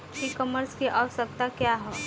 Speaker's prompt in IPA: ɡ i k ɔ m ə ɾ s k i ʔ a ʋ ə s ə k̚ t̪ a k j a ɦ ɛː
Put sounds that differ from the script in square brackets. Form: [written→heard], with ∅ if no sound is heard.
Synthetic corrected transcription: [ɡ→k] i k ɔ m ə ɾ s k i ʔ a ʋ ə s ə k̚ t̪ a k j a ɦ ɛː